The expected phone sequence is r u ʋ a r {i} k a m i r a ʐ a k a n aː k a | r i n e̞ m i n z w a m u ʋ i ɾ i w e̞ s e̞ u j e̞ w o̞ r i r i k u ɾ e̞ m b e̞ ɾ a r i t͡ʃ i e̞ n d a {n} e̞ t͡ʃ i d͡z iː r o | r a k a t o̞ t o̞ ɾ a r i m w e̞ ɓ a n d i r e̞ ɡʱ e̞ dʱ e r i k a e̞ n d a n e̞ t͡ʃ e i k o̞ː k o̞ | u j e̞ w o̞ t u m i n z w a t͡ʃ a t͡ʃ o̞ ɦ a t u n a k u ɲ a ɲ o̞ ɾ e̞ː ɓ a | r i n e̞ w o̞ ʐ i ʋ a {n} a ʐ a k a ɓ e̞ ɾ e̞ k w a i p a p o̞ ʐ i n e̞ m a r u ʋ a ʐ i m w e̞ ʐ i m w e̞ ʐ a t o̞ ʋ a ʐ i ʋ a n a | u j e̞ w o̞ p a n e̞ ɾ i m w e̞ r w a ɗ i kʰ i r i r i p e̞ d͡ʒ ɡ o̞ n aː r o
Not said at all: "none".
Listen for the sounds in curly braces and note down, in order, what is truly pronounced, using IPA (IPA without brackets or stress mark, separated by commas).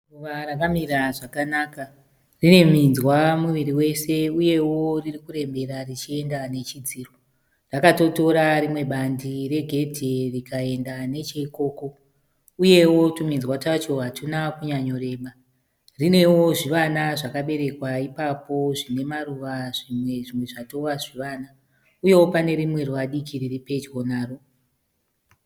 a, n, n